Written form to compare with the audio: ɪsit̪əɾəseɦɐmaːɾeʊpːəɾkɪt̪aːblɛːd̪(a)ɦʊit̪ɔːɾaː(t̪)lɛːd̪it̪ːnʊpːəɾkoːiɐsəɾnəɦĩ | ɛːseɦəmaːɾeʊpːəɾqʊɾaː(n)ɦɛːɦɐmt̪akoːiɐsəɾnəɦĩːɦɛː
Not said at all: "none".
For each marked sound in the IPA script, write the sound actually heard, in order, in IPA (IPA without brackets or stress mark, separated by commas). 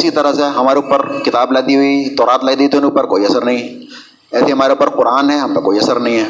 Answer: i, t̪, n